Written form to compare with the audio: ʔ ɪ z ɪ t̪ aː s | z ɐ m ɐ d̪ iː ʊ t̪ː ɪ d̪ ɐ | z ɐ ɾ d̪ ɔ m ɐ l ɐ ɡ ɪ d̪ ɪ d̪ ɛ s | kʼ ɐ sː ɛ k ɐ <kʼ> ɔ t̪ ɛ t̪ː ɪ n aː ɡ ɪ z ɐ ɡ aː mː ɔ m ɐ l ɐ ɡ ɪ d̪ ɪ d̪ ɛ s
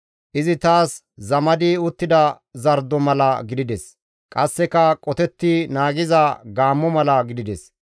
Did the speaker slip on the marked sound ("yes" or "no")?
no